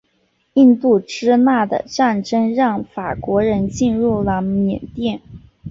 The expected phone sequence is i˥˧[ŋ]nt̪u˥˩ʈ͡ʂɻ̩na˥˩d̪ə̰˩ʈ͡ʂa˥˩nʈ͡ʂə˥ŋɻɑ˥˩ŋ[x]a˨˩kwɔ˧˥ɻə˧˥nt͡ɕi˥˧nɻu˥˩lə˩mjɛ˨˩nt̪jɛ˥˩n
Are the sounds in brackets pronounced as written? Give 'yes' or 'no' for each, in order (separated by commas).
no, no